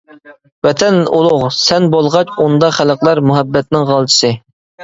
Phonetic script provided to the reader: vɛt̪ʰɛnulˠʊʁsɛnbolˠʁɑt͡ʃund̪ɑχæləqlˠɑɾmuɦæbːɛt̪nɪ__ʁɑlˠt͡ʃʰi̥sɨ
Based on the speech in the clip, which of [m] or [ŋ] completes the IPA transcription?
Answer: ŋ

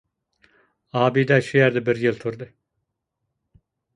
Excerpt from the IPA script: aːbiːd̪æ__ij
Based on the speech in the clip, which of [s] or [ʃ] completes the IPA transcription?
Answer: ʃ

